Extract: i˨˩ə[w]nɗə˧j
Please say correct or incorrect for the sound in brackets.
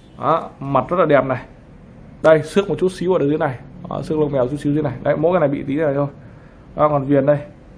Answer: incorrect